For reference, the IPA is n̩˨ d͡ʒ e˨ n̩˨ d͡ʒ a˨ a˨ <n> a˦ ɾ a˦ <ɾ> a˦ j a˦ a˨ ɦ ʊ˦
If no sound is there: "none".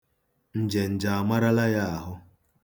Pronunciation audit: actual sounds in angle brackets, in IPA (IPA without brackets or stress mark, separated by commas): m, l